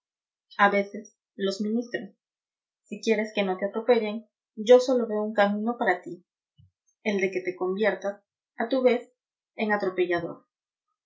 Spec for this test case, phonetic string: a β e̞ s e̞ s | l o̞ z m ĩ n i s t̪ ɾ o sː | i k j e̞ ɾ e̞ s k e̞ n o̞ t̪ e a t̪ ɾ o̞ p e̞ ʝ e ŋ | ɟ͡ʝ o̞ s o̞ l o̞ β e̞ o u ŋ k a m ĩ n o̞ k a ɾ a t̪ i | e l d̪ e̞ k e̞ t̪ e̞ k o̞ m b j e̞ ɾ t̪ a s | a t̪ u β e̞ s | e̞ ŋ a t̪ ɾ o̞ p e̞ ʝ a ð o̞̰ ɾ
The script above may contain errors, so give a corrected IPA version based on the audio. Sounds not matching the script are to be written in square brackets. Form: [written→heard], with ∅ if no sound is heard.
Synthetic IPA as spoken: a β e̞ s e̞ s | l o̞ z m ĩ n i s t̪ ɾ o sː | i k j e̞ ɾ e̞ s k e̞ n o̞ t̪ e a t̪ ɾ o̞ p e̞ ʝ e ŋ | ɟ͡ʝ o̞ s o̞ l o̞ β e̞ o u ŋ k a m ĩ n o̞ [k→p] a ɾ a t̪ i | e l d̪ e̞ k e̞ t̪ e̞ k o̞ m b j e̞ ɾ t̪ a s | a t̪ u β e̞ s | e̞ ŋ a t̪ ɾ o̞ p e̞ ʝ a ð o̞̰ ɾ